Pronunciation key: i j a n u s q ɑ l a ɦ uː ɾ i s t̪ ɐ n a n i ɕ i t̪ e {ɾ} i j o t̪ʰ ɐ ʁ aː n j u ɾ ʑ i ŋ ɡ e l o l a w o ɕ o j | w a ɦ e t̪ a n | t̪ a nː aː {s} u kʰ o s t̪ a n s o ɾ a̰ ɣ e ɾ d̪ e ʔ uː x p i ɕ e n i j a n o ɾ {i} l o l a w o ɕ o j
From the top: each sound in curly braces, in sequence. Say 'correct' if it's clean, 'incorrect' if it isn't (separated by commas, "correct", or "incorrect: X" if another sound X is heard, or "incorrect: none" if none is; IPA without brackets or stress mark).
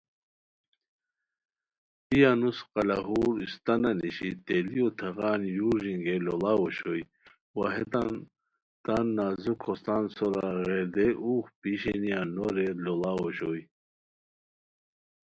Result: incorrect: l, incorrect: z, incorrect: e